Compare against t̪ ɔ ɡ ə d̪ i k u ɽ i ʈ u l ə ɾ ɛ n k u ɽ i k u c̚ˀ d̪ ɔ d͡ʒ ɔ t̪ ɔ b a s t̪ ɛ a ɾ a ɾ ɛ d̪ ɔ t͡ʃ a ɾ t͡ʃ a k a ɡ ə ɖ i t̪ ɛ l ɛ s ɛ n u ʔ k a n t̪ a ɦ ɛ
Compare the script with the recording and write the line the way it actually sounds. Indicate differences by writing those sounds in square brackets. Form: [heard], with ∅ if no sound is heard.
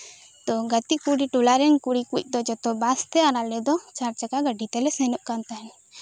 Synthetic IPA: t̪ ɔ ɡ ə [t̪] i k u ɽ i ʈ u l [a] ɾ ɛ n k u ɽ i k u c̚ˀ d̪ ɔ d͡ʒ ɔ t̪ ɔ b a s t̪ ɛ a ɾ a [l] ɛ d̪ ɔ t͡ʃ a ɾ t͡ʃ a k a ɡ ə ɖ i t̪ ɛ l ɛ s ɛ n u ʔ k a n t̪ a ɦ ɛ